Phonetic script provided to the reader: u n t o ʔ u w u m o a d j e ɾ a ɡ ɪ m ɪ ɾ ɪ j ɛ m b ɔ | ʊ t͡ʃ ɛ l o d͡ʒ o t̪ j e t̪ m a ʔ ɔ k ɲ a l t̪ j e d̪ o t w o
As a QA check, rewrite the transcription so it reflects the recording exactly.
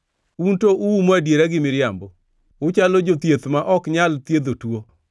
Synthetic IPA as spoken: u n t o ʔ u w u m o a d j e ɾ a ɡ ɪ m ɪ ɾ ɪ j a m b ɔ | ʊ t͡ʃ a l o d͡ʒ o t̪ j e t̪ m a ʔ ɔ k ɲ a l t̪ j e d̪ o t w o